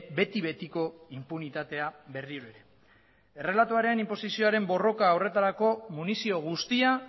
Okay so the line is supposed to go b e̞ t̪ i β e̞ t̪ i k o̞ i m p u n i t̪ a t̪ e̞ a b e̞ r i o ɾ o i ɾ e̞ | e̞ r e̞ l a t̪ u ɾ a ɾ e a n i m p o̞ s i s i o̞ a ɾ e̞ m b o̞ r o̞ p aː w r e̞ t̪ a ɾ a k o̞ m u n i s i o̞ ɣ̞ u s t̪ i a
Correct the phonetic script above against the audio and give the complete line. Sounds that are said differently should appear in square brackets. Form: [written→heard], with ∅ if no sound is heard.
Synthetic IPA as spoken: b e̞ t̪ i β e̞ t̪ i k o̞ i m p u n i t̪ a t̪ e̞ a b e̞ r i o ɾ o [i→e] ɾ e̞ | e̞ r e̞ l a t̪ u [ɾ→∅] a ɾ e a n i m p o̞ s i s i o̞ a ɾ e̞ m b o̞ r o̞ [p→k] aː w r e̞ t̪ a ɾ a k o̞ m u n i s i o̞ ɣ̞ u s t̪ i a

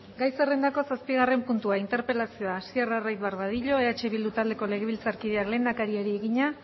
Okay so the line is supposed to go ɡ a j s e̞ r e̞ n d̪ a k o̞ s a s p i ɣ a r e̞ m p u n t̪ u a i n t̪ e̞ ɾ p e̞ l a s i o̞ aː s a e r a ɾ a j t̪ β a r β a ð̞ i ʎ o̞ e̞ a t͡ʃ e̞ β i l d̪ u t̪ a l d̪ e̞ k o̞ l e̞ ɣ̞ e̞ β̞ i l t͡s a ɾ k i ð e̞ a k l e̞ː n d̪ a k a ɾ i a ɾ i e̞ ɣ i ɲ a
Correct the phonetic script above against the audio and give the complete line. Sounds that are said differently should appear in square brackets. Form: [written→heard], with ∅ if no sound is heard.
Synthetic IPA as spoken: ɡ a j s e̞ r e̞ n d̪ a k o̞ s a s p i ɣ a r e̞ m p u n t̪ u a i n t̪ e̞ ɾ p e̞ l a s i o̞ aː s [a→i] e r a [ɾ→r] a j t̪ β a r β a ð̞ i ʎ o̞ e̞ a t͡ʃ e̞ β i l d̪ u t̪ a l d̪ e̞ k o̞ l e̞ ɣ̞ e̞ β̞ i l t͡s a ɾ k i ð e̞ a k l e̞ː n d̪ a k a ɾ i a ɾ i e̞ ɣ i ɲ a

